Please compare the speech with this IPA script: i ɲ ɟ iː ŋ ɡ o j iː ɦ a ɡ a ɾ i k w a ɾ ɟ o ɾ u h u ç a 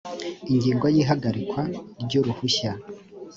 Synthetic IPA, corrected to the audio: i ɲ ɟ iː ŋ ɡ o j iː ɦ a ɡ a ɾ i k w a ɾ ɟ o ɾ u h u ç a